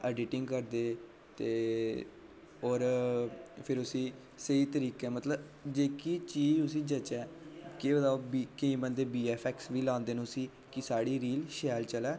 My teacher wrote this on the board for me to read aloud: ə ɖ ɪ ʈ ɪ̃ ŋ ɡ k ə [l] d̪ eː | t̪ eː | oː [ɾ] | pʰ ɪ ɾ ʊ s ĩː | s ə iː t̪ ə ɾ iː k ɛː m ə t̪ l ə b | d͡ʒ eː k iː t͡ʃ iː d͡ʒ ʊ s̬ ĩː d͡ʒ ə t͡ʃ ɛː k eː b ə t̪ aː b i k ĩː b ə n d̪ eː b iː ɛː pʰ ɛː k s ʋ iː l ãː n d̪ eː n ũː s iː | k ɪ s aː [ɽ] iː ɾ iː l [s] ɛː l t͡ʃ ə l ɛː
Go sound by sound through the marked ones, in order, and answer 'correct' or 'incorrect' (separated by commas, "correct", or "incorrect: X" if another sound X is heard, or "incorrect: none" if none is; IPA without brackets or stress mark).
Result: incorrect: ɾ, correct, correct, incorrect: ʃ